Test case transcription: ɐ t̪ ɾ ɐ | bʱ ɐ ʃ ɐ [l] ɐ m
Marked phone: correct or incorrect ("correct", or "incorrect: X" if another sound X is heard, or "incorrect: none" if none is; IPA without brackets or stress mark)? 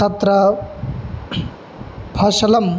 correct